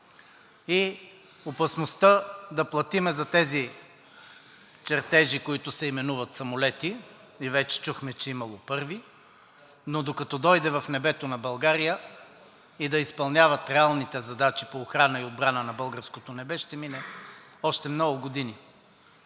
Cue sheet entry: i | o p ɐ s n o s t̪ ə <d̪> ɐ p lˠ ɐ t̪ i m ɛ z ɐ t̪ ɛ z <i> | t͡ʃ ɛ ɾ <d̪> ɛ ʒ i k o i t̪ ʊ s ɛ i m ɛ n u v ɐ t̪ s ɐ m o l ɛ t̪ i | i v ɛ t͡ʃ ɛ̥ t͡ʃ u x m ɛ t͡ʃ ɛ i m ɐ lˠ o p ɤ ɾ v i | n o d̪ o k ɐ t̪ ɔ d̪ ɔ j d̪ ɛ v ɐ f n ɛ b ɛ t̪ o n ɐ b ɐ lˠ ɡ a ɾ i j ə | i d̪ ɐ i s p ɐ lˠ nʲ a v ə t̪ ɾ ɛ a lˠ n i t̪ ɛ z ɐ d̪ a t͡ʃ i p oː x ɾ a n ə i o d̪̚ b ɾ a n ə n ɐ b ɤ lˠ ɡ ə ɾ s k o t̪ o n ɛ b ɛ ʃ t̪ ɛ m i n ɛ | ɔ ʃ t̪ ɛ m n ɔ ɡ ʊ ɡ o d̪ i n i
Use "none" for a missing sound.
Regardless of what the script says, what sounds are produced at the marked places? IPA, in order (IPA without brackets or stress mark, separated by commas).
d̪, i, t̪